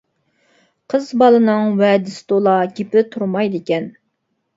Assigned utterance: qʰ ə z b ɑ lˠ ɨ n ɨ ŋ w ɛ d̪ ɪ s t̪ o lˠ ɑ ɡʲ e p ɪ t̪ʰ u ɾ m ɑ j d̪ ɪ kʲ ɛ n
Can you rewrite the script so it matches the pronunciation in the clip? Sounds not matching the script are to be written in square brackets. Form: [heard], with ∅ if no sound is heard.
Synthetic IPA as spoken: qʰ ə z b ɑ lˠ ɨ n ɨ ŋ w ɛ d̪ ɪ s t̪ o lˠ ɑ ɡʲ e p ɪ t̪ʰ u ɾ m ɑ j d̪ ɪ kʲ ɛ n